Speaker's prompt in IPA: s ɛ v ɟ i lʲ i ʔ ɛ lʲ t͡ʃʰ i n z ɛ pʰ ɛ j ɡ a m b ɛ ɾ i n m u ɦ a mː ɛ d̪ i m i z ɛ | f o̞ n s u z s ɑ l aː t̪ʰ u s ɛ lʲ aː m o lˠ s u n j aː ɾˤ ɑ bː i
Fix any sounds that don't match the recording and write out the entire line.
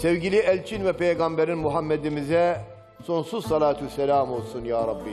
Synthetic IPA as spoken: s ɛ v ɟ i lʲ i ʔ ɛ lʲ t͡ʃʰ i n v ɛ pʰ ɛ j ɡ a m b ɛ ɾ i n m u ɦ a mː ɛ d̪ i m i z ɛ | s o̞ n s u z s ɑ l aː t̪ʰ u s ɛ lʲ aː m o lˠ s u n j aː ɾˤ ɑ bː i